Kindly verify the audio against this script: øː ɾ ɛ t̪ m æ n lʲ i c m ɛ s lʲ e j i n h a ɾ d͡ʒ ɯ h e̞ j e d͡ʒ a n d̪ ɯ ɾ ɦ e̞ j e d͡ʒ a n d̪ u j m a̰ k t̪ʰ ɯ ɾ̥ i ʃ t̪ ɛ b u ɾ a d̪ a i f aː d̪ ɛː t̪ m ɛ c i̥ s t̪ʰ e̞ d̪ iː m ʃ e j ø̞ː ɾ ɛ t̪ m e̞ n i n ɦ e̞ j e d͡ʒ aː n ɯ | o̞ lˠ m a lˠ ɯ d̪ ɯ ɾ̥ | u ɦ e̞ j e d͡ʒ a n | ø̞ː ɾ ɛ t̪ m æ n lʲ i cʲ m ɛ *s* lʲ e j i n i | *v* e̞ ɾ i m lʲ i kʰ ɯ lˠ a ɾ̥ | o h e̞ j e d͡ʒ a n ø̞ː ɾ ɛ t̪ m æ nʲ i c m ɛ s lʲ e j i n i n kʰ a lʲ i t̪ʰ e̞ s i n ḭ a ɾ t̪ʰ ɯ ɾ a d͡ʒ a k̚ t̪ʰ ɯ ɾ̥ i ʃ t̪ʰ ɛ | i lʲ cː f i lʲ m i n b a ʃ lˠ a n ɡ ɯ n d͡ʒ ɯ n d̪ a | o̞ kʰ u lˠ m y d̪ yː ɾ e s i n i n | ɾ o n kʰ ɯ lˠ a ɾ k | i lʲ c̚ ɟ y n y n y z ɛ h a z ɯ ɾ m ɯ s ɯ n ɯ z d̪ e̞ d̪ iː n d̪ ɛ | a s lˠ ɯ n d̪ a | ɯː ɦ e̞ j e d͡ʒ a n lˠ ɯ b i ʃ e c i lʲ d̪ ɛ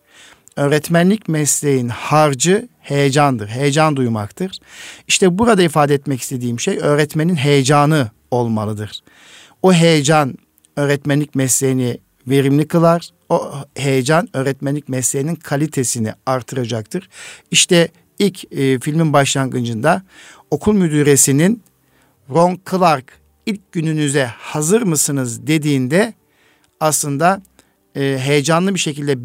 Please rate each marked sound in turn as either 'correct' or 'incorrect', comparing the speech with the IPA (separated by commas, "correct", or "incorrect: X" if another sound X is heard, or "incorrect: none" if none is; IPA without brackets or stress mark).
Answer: correct, correct